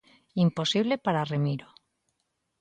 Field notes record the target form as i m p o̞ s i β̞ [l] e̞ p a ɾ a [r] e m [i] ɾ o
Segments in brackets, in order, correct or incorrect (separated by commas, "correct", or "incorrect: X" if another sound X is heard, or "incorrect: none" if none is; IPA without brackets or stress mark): correct, correct, correct